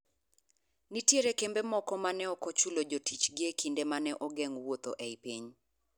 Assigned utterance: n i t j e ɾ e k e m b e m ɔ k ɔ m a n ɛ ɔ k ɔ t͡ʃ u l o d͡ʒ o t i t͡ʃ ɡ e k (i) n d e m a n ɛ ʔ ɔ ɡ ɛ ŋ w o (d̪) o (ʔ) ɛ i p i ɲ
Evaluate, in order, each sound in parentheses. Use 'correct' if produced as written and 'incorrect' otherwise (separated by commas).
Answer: correct, incorrect, correct